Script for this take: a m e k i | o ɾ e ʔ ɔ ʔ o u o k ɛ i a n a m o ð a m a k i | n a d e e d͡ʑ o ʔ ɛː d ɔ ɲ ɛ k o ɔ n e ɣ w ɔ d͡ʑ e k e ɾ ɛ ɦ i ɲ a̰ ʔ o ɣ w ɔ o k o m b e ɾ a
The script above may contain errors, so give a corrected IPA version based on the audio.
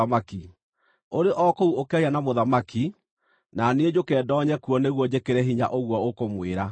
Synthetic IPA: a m a k i | o ɾ e ʔ ɔ k o u o k ɛ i a n a m o ð a m a k i | n a n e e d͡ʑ o k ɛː d ɔ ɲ ɛ k u ɔ n e ɣ w ɔ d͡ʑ e k e ɾ ɛ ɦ i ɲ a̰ ʔ o ɣ w ɔ o k o m w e ɾ a

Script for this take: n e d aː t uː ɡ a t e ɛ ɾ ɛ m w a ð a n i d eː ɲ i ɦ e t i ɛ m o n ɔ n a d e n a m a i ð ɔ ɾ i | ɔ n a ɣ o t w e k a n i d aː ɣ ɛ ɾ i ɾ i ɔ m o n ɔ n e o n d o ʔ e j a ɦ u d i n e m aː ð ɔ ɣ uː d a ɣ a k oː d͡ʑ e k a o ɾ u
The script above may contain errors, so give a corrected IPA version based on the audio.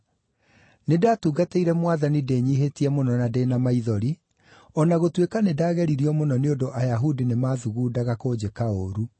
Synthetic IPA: n e d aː t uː ɡ a t e i ɾ ɛ m w a ð a n i d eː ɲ i ɦ e t i ɛ m o n ɔ n a d e n a m a i ð ɔ ɾ i | ɔ n a ɣ o t w e k a n e d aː ɣ ɛ ɾ i ɾ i ɔ m o n ɔ n e o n d o ʔ a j a ɦ u d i n e m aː ð u ɣ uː d a ɣ a k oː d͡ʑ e k a o ɾ u

